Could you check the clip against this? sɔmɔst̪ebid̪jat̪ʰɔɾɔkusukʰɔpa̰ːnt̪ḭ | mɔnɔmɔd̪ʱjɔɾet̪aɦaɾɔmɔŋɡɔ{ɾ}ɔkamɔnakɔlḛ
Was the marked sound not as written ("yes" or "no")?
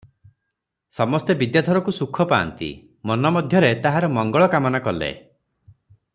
yes